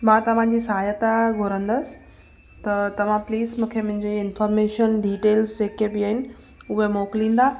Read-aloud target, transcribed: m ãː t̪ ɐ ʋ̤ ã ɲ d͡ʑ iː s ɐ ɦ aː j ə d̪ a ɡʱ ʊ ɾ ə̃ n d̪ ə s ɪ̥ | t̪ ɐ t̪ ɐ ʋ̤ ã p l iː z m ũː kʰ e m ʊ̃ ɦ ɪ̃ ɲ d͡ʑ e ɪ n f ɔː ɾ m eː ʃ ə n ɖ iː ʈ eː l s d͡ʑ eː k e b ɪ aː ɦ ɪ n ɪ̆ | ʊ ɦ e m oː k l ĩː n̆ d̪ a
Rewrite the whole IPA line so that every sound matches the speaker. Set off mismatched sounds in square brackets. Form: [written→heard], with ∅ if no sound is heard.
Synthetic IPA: m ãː t̪ ɐ ʋ̤ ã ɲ d͡ʑ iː s ɐ ɦ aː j ə [d̪→t̪] a ɡʱ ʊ ɾ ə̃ n d̪ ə s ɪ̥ | t̪ ɐ t̪ ɐ ʋ̤ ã p l iː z m ũː kʰ e m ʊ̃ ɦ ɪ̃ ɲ d͡ʑ e ɪ n f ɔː ɾ m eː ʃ ə n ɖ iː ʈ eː l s d͡ʑ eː k e b ɪ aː ɦ ɪ n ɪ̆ | ʊ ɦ e m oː k l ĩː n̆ d̪ a